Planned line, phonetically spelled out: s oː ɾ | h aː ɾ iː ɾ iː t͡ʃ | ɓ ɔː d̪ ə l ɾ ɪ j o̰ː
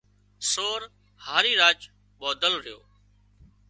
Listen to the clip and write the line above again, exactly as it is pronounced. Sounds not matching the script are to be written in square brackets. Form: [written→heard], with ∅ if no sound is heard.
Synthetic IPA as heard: s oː ɾ | h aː ɾ iː ɾ [iː→aː] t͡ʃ | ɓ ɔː d̪ ə l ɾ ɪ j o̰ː